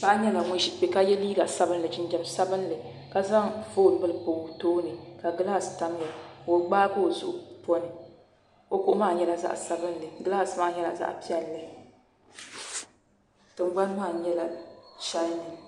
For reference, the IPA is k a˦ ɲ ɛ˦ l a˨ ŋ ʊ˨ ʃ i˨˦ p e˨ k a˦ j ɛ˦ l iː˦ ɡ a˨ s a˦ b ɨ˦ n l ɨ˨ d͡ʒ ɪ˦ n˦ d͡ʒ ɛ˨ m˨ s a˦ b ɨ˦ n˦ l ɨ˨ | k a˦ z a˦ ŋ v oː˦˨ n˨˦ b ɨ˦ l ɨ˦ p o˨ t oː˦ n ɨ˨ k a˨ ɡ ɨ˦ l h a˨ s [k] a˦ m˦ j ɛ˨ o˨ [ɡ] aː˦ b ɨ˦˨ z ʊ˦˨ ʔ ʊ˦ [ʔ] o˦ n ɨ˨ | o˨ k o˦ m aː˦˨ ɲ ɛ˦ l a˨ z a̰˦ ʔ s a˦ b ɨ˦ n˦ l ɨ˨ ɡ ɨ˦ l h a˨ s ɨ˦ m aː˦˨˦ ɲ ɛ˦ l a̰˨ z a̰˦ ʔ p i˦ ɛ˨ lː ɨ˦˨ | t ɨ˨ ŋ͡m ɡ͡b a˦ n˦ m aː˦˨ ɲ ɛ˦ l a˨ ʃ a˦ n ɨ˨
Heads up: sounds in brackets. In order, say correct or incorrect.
incorrect: t, incorrect: ɡ͡b, incorrect: p

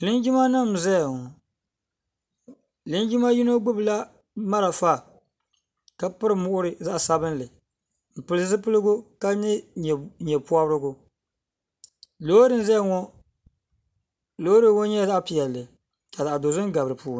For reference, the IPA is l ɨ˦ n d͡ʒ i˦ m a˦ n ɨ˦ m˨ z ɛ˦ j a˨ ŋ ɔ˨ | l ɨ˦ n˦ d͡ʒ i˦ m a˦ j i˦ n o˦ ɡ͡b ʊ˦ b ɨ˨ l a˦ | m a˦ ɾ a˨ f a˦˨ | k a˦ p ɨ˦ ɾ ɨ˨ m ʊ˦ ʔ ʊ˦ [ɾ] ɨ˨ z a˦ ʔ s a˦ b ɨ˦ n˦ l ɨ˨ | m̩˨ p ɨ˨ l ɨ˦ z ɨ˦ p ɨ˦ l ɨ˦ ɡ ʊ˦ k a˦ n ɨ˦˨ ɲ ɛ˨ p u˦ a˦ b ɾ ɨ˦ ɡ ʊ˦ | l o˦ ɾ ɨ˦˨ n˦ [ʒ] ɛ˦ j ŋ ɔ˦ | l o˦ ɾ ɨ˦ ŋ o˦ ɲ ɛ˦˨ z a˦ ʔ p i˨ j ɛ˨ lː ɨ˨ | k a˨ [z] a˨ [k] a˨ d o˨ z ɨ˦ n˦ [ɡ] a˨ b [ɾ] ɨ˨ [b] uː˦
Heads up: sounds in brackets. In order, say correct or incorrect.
correct, incorrect: z, correct, incorrect: ʔ, correct, correct, incorrect: p

